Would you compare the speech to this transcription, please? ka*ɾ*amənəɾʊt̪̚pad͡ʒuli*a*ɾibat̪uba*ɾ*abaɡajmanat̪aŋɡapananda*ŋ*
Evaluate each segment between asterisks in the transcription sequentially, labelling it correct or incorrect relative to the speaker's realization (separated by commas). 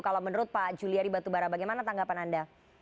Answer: incorrect, correct, correct, incorrect